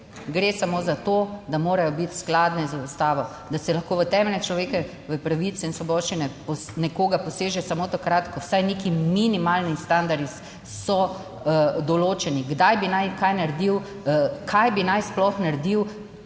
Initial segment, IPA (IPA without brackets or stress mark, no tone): ɡ